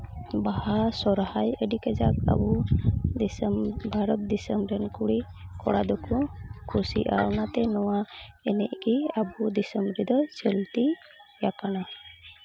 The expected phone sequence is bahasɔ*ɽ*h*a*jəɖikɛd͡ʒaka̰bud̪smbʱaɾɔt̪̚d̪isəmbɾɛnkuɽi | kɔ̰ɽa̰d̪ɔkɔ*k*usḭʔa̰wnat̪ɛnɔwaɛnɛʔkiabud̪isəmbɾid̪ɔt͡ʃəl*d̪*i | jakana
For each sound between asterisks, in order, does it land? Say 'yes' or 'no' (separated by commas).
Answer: no, yes, no, no